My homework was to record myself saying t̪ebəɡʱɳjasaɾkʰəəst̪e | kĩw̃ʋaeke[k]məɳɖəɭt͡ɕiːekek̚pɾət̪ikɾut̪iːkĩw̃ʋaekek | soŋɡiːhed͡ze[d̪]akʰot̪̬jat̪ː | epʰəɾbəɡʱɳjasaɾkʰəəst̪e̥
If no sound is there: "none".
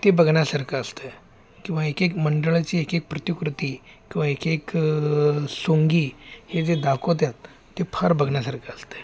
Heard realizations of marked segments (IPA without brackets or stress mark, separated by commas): k, d̪